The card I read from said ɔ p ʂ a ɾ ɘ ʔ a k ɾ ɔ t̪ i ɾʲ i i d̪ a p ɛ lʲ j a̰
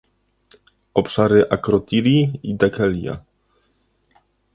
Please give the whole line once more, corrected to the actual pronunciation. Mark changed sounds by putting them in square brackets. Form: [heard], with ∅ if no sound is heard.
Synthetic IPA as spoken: ɔ p ʂ a ɾ ɘ ʔ a k ɾ ɔ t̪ i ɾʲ i i d̪ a [k] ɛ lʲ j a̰